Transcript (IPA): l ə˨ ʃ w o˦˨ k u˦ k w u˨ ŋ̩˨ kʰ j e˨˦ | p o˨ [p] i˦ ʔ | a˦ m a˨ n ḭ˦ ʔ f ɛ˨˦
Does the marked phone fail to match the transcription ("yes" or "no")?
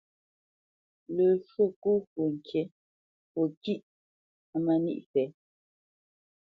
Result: yes